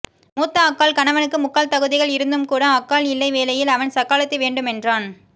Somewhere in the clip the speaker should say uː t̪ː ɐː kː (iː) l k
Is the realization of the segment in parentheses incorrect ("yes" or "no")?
yes